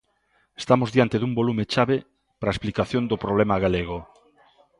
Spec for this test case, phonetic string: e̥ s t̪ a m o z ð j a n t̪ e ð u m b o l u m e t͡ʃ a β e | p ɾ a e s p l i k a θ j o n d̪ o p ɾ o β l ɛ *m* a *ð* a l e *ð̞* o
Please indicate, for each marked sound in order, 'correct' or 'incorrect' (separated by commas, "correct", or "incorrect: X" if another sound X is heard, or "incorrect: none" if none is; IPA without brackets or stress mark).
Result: correct, incorrect: ɣ, incorrect: ɣ̞